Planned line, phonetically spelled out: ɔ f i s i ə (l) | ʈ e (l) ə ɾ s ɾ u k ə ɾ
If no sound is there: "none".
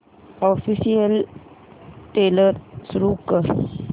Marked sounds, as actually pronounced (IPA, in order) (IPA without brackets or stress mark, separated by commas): l, l